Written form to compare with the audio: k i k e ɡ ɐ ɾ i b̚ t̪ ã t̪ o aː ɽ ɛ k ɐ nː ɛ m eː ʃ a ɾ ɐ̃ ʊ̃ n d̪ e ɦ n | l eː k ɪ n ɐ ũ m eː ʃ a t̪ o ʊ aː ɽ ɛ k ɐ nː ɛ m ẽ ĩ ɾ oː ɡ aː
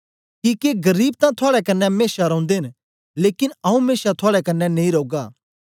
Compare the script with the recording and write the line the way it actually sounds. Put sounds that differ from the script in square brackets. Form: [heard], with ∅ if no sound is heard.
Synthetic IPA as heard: k i k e ɡ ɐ ɾ [iː] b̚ t̪ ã [t̪ʰ] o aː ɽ ɛ k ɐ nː ɛ m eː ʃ a ɾ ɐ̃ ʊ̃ n d̪ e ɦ n | l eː k ɪ n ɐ ũ m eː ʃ a [t̪ʰ] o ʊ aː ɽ ɛ k ɐ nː ɛ [n] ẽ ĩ ɾ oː ɡ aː